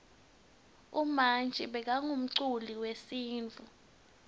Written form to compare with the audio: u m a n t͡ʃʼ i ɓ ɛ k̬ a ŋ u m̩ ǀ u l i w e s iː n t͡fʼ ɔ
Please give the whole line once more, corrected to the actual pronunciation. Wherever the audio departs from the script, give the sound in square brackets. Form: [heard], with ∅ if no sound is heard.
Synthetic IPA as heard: u m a n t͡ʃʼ i ɓ ɛ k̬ a ŋ u m̩ ǀ u l i w e s iː n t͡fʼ [u]